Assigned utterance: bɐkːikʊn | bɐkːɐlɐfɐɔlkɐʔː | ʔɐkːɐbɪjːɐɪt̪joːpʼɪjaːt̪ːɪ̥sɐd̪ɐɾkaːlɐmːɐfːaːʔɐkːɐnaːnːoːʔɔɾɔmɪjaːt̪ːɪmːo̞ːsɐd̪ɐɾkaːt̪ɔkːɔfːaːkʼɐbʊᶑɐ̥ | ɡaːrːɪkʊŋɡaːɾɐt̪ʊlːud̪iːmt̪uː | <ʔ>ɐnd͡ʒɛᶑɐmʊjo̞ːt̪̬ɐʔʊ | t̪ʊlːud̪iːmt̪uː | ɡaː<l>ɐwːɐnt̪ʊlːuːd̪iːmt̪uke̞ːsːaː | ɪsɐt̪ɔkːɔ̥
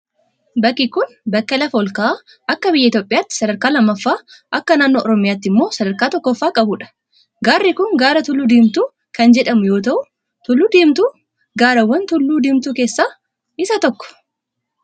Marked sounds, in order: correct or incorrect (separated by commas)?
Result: incorrect, incorrect